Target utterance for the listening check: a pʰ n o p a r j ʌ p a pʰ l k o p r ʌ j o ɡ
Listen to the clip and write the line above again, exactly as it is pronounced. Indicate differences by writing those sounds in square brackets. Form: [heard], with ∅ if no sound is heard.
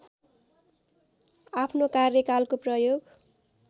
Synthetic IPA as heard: a pʰ n o [k] a r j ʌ [k] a [∅] l k o p r ʌ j o ɡ